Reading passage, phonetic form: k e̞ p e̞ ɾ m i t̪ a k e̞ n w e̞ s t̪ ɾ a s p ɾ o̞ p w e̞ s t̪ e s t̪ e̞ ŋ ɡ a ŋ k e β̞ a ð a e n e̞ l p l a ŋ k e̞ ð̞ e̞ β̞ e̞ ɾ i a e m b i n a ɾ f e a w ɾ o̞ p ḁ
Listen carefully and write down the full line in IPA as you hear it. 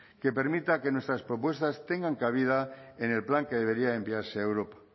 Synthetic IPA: k e̞ p e̞ ɾ m i t̪ a k e̞ n w e̞ s t̪ ɾ a s p ɾ o̞ p w e̞ s t̪ a s t̪ e̞ ŋ ɡ a ŋ k a β̞ i ð a e n e̞ l p l a ŋ k e̞ ð̞ e̞ β̞ e̞ ɾ i a e m b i a ɾ s e e w ɾ o̞ p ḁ